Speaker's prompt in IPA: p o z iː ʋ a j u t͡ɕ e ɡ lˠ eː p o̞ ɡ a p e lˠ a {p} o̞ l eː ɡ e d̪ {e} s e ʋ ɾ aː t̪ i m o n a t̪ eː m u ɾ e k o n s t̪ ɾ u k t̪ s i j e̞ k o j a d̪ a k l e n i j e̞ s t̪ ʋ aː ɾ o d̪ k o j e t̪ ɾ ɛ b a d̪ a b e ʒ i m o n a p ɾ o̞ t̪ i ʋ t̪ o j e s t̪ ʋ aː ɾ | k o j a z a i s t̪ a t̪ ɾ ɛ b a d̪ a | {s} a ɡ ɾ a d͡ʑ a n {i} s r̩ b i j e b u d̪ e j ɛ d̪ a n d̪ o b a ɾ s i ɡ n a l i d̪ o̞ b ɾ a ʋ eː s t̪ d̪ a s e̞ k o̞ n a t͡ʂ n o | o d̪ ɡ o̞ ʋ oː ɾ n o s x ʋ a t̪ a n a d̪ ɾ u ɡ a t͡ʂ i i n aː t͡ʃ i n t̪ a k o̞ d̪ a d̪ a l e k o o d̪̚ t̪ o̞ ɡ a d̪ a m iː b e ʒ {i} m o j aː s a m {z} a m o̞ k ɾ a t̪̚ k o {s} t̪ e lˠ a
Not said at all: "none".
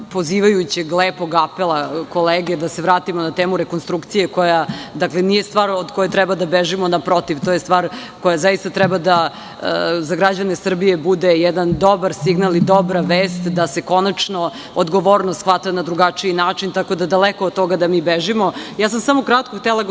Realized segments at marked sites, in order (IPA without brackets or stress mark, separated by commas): k, a, z, e, i, s, x